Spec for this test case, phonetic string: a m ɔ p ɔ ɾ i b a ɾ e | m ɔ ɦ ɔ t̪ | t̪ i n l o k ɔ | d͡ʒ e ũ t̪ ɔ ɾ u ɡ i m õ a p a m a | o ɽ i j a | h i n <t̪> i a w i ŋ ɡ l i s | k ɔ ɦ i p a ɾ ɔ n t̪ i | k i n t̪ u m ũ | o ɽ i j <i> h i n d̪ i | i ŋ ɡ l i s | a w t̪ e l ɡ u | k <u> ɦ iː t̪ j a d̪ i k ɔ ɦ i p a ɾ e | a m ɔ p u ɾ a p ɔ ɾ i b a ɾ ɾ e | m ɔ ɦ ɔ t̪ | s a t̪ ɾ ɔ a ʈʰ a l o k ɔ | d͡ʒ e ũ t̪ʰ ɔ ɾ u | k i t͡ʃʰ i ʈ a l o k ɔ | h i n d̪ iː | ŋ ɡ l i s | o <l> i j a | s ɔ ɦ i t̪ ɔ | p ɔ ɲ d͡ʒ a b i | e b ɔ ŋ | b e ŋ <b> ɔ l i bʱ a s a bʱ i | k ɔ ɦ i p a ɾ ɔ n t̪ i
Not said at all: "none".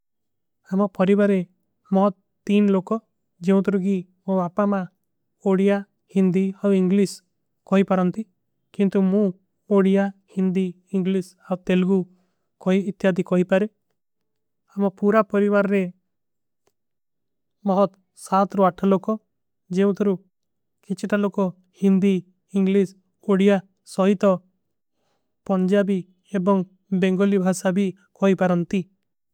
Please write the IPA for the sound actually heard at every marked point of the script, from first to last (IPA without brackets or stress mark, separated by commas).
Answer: d̪, a, ɔ, ɽ, ɡ